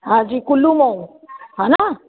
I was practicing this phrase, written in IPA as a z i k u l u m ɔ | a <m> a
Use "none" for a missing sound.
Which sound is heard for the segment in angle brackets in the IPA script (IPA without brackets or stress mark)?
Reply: n